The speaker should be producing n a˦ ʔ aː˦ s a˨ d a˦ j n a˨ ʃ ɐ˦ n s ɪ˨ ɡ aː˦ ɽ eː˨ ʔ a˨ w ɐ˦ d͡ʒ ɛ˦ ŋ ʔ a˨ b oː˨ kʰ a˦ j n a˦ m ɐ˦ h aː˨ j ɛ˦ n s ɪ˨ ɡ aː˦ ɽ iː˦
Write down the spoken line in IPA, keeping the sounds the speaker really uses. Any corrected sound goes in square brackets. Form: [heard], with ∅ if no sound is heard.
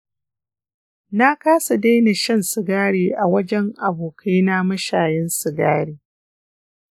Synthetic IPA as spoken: n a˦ [k] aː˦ s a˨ d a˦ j n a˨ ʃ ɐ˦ n s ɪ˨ ɡ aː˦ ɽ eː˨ ʔ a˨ w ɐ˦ d͡ʒ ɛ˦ ŋ ʔ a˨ b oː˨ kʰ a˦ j n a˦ m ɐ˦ [ʃ] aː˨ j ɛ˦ n s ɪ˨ ɡ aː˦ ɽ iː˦